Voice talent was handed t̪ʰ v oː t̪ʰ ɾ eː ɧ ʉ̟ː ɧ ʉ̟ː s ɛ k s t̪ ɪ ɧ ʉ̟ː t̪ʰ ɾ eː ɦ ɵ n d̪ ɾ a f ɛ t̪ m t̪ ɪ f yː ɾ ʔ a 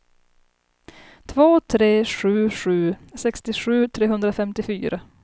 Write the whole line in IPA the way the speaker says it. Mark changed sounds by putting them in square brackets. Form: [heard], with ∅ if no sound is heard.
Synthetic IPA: t̪ʰ v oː t̪ʰ ɾ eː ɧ ʉ̟ː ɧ ʉ̟ː s ɛ k s t̪ ɪ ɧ ʉ̟ː t̪ʰ ɾ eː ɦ ɵ n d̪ ɾ a f ɛ [∅] m t̪ ɪ f yː ɾ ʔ a